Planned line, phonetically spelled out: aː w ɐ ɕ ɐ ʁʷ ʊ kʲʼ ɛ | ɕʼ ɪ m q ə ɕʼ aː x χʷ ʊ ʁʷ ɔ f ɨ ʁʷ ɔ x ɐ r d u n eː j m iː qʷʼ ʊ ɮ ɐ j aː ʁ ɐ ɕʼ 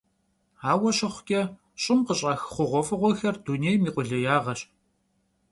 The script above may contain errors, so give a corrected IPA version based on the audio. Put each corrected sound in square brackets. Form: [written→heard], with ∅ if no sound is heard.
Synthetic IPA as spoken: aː w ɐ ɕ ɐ [ʁʷ→χʷ] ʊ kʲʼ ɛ | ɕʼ ɪ m q ə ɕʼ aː x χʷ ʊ ʁʷ ɔ f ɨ ʁʷ ɔ x ɐ r d u n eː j m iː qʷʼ ʊ ɮ ɐ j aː ʁ ɐ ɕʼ